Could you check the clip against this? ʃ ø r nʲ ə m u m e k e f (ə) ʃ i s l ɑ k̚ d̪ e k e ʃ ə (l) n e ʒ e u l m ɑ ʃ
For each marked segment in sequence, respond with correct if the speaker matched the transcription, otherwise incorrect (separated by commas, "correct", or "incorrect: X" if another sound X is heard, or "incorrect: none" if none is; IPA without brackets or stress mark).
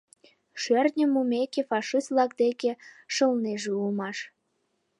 incorrect: ɑ, correct